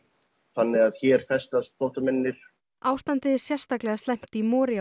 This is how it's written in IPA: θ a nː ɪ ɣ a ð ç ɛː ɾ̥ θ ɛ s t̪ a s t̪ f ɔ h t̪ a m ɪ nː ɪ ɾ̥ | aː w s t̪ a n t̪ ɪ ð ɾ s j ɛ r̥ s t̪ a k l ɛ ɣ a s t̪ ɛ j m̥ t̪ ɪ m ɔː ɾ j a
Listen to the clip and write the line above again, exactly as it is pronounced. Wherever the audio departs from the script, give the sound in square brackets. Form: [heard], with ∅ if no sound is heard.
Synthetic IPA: θ a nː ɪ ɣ a ð ç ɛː ɾ̥ θ ɛ s t̪ a s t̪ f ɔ h t̪ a m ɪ nː ɪ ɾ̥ | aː w s t̪ a n t̪ ɪ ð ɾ s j ɛ r̥ s t̪ a k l ɛ ɣ a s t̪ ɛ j m̥ t̪ [i] m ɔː ɾ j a